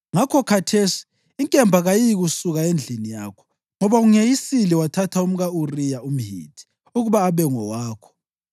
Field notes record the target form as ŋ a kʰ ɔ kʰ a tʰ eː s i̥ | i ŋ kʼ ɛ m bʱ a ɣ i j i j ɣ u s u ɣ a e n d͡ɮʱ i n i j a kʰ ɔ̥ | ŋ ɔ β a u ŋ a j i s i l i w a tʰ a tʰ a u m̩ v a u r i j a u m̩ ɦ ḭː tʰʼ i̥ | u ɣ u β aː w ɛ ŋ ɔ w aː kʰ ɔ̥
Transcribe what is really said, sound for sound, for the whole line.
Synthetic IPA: ŋ a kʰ ɔ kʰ a tʰ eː s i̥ | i ŋ kʼ ɛ m bʱ a ɣ a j i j ɣ u s u ɣ a e n d͡ɮʱ i n i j a kʰ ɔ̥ | ŋ ɔ β a u ŋ e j i s i l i w a tʰ a tʰ a u m̩ ɣ a u r i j a u m̩ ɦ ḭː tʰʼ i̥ | u ɣ u β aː β ɛ ŋ ɔ w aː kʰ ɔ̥